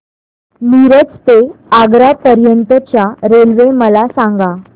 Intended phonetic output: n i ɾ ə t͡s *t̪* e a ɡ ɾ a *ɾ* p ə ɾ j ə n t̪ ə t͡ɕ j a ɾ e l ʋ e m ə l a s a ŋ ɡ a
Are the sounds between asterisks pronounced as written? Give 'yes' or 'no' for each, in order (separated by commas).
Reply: yes, no